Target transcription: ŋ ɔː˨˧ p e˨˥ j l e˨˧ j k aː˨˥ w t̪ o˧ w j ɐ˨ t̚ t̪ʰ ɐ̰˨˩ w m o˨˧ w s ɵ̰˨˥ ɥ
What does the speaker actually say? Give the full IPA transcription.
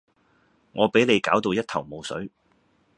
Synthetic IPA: ŋ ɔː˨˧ p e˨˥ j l e˨˧ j k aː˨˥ w t̪ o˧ w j ɐ˥ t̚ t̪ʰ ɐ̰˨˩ w m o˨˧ w s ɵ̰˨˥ ɥ

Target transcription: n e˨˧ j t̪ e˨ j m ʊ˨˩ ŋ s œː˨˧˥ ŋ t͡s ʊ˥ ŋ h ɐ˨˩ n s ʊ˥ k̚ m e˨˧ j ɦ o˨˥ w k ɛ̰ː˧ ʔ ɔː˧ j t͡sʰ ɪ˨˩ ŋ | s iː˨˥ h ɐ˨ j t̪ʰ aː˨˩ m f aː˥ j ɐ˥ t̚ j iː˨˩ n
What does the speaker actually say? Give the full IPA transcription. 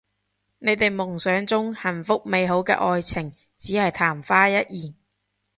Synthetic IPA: n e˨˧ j t̪ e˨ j m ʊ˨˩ ŋ s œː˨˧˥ ŋ t͡s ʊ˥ ŋ h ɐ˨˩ n f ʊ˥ k̚ m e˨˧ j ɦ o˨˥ w k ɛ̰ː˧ ʔ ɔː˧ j t͡sʰ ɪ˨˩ ŋ | t͡s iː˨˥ h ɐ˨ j t̪ʰ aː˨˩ m f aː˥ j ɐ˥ t̚ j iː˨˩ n

